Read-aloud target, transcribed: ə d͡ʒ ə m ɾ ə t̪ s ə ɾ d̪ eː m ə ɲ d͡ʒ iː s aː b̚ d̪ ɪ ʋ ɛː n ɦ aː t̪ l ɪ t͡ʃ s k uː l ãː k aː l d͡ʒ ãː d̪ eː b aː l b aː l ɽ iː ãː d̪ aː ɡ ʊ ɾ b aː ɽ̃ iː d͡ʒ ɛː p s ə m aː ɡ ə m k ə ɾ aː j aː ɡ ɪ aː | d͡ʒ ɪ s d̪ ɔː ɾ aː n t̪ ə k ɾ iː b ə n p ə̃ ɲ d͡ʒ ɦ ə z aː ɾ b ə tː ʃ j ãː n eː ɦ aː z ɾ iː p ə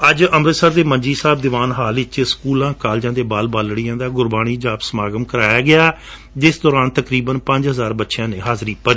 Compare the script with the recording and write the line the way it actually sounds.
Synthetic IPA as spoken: ə d͡ʒ ə m ɾ ə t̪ s ə ɾ d̪ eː m ə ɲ d͡ʒ iː s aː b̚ d̪ ɪ ʋ aː n ɦ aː l ɪ t͡ʃ s k uː l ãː k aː l d͡ʒ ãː d̪ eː b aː l b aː l ɽ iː ãː d̪ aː ɡ ʊ ɾ b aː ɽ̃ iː d͡ʒ aː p s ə m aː ɡ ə m k ə ɾ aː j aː ɡ ɪ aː | d͡ʒ ɪ s d̪ ɔː ɾ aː n t̪ ə k ɾ iː b ə n p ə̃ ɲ d͡ʒ ɦ ə z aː ɾ b ə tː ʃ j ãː n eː ɦ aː z ɾ iː p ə

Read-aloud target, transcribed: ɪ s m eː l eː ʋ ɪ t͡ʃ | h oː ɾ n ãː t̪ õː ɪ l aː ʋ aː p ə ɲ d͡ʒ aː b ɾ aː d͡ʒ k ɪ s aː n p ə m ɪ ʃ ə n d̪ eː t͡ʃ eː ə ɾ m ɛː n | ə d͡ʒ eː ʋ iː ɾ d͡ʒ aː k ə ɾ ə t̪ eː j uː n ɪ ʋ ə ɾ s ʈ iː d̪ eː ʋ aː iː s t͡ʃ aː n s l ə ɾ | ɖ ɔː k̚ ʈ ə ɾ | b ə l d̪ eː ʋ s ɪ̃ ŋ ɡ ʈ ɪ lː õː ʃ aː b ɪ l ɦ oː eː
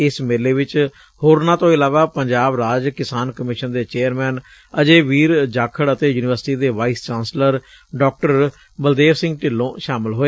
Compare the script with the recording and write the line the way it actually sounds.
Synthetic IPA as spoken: ɪ s m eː l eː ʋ ɪ t͡ʃ | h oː ɾ n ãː t̪ õː ɪ l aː ʋ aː p ə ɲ d͡ʒ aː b ɾ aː d͡ʒ k ɪ s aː n k ə m ɪ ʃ ə n d̪ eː t͡ʃ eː ə ɾ m ɛː n | ə d͡ʒ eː ʋ iː ɾ d͡ʒ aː kʰ ə ɽ ə t̪ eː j uː n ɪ ʋ ə ɾ s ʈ iː d̪ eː ʋ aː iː s t͡ʃ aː n s l ə ɾ | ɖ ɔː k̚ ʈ ə ɾ | b ə l d̪ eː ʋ s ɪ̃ ŋ ɡ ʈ ɪ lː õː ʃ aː m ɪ l ɦ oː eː

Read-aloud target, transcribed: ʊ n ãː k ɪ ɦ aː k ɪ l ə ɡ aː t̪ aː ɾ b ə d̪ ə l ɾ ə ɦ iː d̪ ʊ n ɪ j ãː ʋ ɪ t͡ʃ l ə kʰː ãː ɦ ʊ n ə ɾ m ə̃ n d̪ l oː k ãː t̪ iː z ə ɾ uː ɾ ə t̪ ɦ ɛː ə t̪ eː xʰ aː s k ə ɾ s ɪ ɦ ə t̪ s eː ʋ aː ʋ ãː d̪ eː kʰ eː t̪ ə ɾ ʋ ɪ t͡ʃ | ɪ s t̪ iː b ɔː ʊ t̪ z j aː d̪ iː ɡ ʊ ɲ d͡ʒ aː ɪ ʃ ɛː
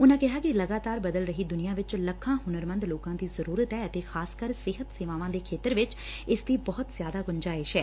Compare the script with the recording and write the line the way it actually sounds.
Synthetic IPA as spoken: ʊ n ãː k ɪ ɦ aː k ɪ l ə ɡ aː t̪ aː ɾ b ə d̪ ə l ɾ ə ɦ iː d̪ ʊ n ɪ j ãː ʋ ɪ t͡ʃ l ə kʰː ãː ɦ ʊ n ə ɾ m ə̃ n d̪ l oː k ãː d̪ iː z ə ɾ uː ɾ ə t̪ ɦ ɛː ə t̪ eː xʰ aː s k ə ɾ s ɪ ɦ ə t̪ s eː ʋ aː ʋ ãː d̪ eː kʰ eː t̪ ə ɾ ʋ ɪ t͡ʃ | ɪ s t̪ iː b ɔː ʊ t̪ z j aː d̪ aː ɡ ʊ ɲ d͡ʒ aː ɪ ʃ ɛː

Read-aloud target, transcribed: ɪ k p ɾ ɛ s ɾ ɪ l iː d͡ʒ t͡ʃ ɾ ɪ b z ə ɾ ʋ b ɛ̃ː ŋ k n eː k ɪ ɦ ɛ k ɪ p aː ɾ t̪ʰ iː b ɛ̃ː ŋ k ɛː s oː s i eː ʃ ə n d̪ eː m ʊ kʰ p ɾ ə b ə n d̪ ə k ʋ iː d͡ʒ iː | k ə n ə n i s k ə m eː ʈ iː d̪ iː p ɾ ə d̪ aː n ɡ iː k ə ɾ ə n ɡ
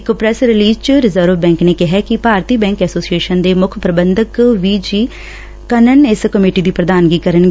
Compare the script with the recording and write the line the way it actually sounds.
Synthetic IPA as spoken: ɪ k p ɾ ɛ s ɾ ɪ l iː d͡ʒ t͡ʃ ɾ ɪ z ə ɾ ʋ b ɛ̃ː ŋ k n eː k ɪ ɦ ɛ k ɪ p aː ɾ t̪ iː b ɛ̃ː ŋ k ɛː s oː s i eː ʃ ə n d̪ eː m ʊ kʰ p ɾ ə b ə n d̪ ə k ʋ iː d͡ʒ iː | k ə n ə n ɪ s k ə m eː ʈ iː d̪ iː p ɾ ə d̪ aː n ɡ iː k ə ɾ ə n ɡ

